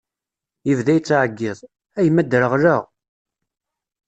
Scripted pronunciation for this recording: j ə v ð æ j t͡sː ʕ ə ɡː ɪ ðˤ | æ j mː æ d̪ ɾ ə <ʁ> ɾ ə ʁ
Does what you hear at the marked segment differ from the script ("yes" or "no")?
no